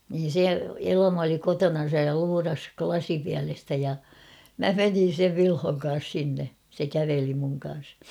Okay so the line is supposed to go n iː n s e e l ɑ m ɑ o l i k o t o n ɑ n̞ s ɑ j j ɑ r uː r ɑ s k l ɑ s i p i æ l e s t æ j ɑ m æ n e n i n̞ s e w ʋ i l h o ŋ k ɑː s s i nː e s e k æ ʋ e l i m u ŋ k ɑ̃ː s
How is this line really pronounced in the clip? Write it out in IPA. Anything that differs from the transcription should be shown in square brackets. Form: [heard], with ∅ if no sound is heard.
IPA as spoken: n iː n s e e l ɑ m ɑ o l i k o t o n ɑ n̞ s ɑ j j ɑ [l] uː r ɑ s k l ɑ s i p i æ l e s t æ j ɑ m æ [m] e n i n̞ s e [ʋ] ʋ i l h o ŋ k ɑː s s i nː e s e k æ ʋ e l i m u ŋ k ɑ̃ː s